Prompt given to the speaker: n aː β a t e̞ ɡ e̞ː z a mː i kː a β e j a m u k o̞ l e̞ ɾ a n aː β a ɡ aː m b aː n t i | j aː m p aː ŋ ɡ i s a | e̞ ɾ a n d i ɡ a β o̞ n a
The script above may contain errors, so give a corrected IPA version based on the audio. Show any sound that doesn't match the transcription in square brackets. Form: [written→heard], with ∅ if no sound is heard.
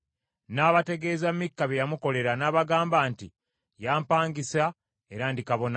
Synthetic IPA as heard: n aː β a t e̞ ɡ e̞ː z a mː i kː a β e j a m u k o̞ l e̞ ɾ a n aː β a ɡ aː m b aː n t i | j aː m p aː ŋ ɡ i s a | e̞ ɾ a n d i [ɡ→k] a β o̞ n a